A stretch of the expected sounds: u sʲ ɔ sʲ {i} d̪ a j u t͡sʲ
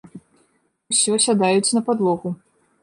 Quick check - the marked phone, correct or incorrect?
incorrect